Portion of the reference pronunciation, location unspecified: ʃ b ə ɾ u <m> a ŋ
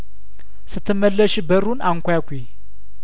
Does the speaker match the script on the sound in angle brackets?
no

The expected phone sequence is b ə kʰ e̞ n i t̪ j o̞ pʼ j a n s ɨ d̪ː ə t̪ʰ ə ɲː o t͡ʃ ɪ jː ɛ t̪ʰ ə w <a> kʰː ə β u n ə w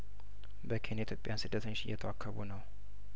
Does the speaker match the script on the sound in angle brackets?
yes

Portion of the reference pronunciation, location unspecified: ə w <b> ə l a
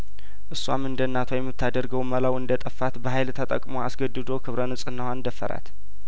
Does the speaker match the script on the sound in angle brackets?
no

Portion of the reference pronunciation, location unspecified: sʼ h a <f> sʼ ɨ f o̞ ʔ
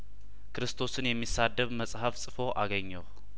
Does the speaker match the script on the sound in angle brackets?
yes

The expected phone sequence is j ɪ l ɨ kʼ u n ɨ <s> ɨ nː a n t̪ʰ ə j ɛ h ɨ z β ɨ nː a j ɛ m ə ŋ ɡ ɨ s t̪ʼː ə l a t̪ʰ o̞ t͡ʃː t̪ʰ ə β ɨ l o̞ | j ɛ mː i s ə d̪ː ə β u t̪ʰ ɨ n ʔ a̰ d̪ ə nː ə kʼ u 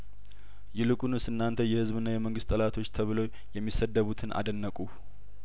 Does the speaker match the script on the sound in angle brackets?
yes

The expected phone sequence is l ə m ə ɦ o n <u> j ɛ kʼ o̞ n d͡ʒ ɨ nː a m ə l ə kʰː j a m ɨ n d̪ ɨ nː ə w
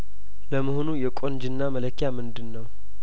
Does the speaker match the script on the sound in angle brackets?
yes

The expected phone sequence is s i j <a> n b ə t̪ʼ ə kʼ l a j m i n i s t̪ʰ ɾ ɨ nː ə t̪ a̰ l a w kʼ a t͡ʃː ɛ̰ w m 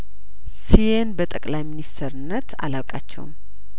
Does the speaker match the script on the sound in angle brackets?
no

